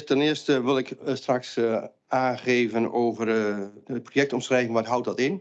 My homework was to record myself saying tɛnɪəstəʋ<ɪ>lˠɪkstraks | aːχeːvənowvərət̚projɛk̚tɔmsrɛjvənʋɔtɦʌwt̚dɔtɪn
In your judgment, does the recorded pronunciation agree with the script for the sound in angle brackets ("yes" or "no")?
yes